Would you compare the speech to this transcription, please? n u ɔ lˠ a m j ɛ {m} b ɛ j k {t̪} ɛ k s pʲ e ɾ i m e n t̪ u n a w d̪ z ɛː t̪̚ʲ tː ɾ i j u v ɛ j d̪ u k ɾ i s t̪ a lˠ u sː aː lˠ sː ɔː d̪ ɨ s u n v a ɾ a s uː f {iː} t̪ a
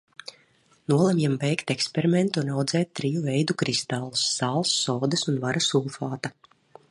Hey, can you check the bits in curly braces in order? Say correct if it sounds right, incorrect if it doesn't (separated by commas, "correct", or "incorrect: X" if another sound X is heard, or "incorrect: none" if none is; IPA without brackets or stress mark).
correct, correct, incorrect: aː